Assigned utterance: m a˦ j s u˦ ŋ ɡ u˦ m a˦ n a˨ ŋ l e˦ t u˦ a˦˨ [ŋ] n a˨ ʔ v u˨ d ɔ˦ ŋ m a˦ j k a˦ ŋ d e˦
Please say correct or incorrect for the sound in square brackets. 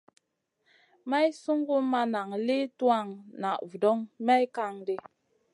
correct